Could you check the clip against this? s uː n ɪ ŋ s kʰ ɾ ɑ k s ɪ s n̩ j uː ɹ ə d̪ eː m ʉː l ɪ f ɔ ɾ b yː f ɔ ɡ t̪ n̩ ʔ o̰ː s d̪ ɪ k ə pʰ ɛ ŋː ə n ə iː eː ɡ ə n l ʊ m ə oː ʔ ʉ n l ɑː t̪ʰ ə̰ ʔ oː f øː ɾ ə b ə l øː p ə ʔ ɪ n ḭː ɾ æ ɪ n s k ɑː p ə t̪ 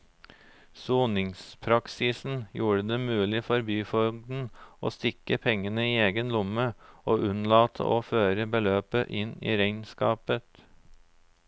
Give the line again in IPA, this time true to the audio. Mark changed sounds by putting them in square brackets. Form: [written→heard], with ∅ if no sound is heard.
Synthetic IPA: s uː n ɪ ŋ s [kʰ→pʰ] ɾ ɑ k s ɪ s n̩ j uː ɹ ə d̪ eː m ʉː l ɪ f ɔ ɾ b yː f ɔ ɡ [t̪→d̪] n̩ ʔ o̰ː s [d̪→t̪] ɪ k ə pʰ ɛ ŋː ə n ə iː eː ɡ ə n l ʊ m ə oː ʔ ʉ n l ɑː t̪ʰ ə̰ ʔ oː f øː ɾ ə b ə l øː p ə ʔ ɪ n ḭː ɾ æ ɪ n s k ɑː p ə t̪